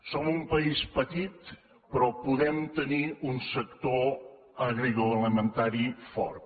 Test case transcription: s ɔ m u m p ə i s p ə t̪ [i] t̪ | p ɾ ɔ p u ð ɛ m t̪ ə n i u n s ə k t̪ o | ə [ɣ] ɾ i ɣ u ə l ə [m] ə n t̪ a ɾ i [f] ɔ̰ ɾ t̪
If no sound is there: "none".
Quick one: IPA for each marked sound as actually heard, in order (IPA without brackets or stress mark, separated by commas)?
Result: i, ɣ, m, f